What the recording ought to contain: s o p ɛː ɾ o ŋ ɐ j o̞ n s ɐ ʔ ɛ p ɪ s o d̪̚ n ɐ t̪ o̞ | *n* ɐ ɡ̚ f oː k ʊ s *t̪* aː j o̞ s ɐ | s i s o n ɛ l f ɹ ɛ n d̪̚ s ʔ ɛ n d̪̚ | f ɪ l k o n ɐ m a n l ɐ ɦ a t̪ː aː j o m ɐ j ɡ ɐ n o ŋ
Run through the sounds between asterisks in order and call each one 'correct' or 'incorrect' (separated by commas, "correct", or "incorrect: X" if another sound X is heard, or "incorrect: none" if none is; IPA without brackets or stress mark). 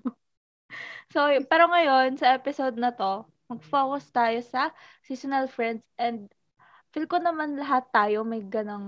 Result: incorrect: m, correct